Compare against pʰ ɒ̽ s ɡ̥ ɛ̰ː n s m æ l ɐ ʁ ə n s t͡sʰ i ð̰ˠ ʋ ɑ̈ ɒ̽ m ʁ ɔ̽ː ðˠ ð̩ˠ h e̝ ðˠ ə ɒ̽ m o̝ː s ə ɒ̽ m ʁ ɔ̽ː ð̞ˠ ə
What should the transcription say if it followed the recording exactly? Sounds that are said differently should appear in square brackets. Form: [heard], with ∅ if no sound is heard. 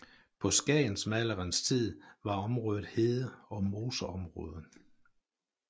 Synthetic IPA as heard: pʰ ɒ̽ s ɡ̥ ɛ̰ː n s m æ l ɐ ʁ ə n s t͡sʰ i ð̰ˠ ʋ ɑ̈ ɒ̽ m ʁ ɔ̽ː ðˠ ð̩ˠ h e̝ ðˠ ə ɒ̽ m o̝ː s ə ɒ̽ m ʁ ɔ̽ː ð̞ˠ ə